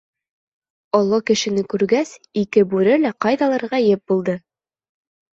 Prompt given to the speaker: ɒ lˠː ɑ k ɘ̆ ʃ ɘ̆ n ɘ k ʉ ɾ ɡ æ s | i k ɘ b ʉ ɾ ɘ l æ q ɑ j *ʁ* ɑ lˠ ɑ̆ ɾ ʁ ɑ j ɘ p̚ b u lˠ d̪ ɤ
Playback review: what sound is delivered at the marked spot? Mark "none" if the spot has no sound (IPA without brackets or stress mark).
ð